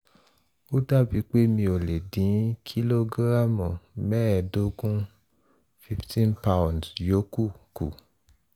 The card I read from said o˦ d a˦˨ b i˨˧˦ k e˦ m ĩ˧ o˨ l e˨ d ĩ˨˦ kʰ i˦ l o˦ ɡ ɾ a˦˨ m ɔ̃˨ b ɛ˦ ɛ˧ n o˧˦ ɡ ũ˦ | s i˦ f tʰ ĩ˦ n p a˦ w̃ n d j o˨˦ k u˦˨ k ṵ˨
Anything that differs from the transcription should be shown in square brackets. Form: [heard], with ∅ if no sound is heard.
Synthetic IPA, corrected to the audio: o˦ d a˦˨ b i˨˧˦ [k͡p] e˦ m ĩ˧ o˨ l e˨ d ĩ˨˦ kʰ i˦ l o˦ ɡ ɾ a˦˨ m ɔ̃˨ [m] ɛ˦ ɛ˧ [d] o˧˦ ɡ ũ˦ | [f] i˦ f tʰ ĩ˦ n p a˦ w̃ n d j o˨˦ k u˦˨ k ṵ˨

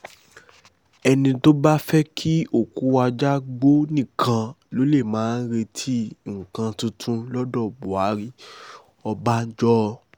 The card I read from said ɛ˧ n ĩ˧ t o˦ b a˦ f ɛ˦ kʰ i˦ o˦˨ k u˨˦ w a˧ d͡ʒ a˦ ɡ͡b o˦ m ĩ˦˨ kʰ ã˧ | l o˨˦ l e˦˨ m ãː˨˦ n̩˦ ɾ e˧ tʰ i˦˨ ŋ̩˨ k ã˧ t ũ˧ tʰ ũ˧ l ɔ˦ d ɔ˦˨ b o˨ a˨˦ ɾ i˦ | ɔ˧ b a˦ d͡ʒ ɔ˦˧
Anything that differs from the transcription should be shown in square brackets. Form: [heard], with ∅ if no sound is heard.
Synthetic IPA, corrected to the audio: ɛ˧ n ĩ˧ t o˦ b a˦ f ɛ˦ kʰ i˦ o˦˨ k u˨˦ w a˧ d͡ʒ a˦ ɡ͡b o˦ [n] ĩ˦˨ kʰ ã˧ | l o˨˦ l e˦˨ m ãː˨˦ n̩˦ ɾ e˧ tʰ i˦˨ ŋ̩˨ k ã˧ t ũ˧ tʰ ũ˧ l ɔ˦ d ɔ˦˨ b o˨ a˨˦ ɾ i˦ | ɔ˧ b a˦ d͡ʒ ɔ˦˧

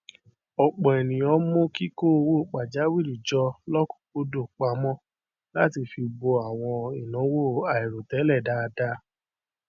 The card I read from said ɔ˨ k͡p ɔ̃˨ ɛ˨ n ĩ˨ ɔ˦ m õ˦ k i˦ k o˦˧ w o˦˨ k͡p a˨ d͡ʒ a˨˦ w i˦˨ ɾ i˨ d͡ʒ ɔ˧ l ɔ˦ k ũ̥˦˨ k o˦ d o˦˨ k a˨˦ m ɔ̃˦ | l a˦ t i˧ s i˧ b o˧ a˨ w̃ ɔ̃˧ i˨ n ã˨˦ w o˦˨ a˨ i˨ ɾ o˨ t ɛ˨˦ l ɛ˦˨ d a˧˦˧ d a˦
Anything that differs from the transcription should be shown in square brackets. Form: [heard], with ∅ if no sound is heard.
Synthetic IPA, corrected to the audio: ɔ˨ k͡p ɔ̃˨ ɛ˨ n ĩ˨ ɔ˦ m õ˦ k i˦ k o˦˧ w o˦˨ k͡p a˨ d͡ʒ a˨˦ w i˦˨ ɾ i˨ d͡ʒ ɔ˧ l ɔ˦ k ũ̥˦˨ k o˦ d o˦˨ [k͡p] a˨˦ m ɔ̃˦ | l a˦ t i˧ [f] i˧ b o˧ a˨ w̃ ɔ̃˧ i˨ n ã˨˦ w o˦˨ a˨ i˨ ɾ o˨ t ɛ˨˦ l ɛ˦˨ d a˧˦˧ d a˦

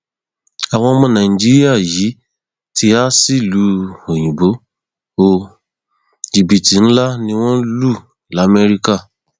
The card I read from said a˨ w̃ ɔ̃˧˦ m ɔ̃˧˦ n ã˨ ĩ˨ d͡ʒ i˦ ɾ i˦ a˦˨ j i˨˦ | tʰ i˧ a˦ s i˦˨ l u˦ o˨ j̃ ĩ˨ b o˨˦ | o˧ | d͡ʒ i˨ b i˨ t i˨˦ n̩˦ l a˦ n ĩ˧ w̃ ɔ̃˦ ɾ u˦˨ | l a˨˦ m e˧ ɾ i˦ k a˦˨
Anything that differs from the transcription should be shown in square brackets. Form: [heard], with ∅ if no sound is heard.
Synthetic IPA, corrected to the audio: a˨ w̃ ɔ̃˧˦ m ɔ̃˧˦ n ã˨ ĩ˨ d͡ʒ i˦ ɾ i˦ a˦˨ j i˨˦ | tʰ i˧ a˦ s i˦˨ l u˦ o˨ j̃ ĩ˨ b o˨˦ | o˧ | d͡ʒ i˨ b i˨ t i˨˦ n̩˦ l a˦ n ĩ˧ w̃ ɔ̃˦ [l] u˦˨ | l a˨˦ m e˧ ɾ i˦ k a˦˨

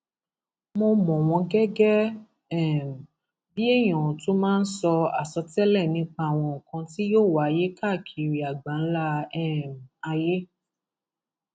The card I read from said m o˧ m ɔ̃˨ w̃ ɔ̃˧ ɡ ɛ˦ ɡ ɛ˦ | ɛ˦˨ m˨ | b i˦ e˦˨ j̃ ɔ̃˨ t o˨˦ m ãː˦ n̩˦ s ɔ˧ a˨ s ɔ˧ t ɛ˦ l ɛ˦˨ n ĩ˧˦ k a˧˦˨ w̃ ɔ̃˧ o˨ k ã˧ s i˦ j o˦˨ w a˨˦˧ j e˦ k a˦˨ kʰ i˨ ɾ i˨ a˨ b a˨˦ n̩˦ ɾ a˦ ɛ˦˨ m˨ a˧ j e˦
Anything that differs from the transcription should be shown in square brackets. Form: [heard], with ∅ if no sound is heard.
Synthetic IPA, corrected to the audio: m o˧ m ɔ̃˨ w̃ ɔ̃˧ ɡ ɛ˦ ɡ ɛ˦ | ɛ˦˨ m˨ | b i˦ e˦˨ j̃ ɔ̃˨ t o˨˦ m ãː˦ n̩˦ s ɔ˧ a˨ s ɔ˧ t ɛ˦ l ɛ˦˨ n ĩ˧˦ [k͡p] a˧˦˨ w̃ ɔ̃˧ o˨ k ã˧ [t] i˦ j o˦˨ w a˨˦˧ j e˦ k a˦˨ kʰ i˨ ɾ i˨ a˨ [ɡ͡b] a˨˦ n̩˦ [l] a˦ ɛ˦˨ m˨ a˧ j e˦

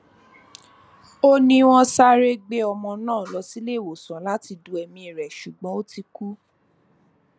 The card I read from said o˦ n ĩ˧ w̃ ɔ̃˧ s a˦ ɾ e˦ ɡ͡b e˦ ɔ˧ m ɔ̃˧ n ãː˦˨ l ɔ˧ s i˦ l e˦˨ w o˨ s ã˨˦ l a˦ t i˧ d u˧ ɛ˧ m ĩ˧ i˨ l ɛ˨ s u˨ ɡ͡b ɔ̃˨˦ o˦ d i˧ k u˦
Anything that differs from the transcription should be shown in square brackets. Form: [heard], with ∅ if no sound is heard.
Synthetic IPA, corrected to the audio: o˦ n ĩ˧ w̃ ɔ̃˧ s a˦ ɾ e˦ ɡ͡b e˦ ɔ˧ m ɔ̃˧ n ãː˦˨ l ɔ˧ s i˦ l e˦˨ w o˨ s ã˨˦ l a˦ t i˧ d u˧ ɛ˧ m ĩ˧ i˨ [ɾ] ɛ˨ [ʃ] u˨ ɡ͡b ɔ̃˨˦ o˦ [t] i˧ k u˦

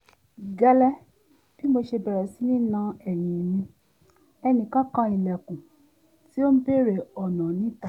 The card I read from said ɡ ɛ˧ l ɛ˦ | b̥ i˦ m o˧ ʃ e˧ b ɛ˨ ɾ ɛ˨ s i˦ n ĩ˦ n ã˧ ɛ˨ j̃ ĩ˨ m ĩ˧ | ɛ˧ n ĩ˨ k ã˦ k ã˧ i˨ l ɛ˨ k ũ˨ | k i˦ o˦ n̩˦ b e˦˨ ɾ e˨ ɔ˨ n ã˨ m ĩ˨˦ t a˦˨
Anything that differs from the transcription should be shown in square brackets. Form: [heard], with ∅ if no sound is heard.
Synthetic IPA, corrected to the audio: ɡ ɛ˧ l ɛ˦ | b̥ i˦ m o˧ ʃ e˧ b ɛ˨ ɾ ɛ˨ s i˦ n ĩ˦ n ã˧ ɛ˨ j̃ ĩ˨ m ĩ˧ | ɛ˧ n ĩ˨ k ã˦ k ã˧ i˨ l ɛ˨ k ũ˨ | [t] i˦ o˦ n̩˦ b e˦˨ ɾ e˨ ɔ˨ n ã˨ [n] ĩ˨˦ t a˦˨

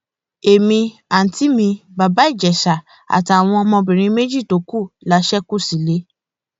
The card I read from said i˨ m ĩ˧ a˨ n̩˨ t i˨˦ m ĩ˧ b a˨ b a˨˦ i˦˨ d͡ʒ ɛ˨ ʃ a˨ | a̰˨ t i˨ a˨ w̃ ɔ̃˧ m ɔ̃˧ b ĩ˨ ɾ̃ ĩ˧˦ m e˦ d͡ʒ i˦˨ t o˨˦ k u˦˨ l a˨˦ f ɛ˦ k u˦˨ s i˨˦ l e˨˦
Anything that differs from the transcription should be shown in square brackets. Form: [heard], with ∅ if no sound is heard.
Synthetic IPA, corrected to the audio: [e˨] m ĩ˧ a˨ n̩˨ t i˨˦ m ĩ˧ b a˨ b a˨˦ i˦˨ d͡ʒ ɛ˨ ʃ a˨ | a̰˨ t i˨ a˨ w̃ ɔ̃˧ m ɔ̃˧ b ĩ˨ ɾ̃ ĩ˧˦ m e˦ d͡ʒ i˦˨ t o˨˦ k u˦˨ l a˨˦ [ʃ] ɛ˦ k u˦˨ s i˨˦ l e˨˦

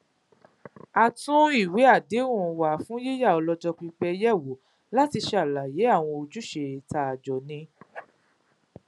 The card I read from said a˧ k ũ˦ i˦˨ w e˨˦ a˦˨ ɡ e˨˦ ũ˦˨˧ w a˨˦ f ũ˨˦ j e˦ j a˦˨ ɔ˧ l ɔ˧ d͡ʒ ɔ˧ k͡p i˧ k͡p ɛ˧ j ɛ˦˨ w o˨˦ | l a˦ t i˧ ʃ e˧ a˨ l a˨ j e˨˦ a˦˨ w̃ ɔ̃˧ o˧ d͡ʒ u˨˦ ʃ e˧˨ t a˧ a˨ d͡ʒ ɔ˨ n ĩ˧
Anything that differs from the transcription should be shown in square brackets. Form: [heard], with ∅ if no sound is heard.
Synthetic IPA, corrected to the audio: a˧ [t] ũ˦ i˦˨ w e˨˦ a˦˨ [d] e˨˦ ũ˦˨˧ w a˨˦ f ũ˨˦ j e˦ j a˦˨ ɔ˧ l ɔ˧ d͡ʒ ɔ˧ k͡p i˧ k͡p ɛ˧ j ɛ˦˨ w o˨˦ | l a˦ t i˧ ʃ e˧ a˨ l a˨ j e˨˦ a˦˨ w̃ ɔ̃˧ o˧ d͡ʒ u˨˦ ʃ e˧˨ t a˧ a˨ d͡ʒ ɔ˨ n ĩ˧

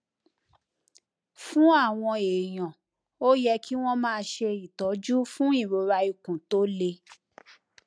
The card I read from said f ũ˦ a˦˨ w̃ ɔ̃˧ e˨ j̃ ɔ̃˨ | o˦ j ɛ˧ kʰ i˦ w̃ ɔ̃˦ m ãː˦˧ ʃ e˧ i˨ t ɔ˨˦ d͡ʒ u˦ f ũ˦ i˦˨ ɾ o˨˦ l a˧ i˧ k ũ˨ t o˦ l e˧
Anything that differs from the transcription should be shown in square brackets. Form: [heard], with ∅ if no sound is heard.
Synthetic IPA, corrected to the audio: f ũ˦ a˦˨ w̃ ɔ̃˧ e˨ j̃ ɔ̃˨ | o˦ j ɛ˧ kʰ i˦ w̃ ɔ̃˦ m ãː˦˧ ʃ e˧ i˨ t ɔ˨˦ d͡ʒ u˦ f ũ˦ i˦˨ ɾ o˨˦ [ɾ] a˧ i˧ k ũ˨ t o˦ l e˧

